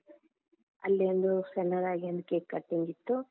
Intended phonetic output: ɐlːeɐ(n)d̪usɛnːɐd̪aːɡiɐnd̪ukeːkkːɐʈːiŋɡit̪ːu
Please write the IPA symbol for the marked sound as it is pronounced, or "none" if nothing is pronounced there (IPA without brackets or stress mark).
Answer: n